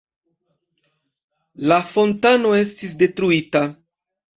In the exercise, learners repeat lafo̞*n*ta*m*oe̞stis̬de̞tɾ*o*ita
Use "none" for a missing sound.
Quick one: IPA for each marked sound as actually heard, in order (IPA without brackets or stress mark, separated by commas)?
n, n, u